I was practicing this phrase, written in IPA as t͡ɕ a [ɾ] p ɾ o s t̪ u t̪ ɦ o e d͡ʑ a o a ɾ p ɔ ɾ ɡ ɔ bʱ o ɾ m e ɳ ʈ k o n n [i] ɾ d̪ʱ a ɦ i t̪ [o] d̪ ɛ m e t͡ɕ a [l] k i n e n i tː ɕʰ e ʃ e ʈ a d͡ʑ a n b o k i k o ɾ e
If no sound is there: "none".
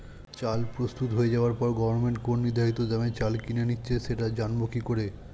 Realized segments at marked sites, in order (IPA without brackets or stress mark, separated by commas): l, i, o, l